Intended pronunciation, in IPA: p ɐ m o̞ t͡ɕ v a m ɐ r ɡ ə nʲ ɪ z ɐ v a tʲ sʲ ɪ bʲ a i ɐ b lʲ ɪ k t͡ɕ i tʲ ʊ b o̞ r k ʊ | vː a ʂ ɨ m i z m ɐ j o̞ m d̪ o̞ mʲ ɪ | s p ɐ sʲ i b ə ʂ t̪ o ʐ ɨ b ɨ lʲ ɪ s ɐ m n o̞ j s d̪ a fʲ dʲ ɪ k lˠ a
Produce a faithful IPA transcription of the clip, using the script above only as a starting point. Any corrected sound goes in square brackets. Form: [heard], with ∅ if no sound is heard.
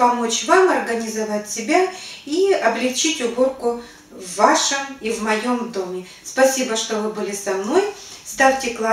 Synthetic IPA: p ɐ m o̞ t͡ɕ v a m ɐ r ɡ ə nʲ ɪ z ɐ v a tʲ sʲ ɪ bʲ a i ɐ b lʲ ɪ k t͡ɕ i tʲ ʊ b o̞ r k ʊ | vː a ʂ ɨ m i [v] m ɐ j o̞ m d̪ o̞ mʲ ɪ | s p ɐ sʲ i b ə ʂ t̪ o [v] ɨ b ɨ lʲ ɪ s ɐ m n o̞ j s [t̪] a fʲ [tʲ] ɪ k lˠ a